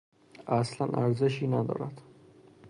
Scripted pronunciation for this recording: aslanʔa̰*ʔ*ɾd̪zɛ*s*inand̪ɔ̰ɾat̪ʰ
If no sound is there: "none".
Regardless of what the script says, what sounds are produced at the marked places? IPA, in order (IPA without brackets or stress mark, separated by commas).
none, ʃ